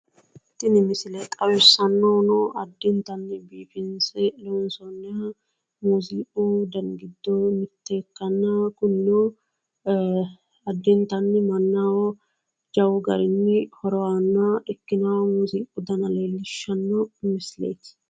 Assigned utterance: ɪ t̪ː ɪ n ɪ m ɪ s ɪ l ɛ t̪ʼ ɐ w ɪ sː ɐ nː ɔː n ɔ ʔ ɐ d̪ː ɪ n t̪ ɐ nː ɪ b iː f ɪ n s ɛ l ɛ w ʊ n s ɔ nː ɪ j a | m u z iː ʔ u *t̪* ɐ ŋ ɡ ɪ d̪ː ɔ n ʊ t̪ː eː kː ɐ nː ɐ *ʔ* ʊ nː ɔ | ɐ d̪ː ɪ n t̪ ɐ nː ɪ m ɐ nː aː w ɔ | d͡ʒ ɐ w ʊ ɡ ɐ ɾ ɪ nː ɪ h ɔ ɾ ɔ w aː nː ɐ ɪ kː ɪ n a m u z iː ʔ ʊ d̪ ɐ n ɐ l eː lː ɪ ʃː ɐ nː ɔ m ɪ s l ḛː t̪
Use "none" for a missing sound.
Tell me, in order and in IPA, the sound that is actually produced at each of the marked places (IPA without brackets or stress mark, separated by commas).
d̪, k